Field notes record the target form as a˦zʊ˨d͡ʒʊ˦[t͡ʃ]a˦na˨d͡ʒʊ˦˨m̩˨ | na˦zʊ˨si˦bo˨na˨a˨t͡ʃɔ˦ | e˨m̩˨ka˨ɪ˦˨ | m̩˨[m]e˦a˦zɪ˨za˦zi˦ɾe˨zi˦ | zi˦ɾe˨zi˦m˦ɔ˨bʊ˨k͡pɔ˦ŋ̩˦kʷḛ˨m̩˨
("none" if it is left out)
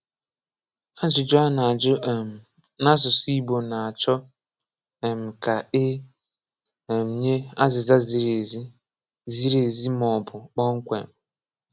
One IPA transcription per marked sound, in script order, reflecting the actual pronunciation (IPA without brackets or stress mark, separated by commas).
none, ɲ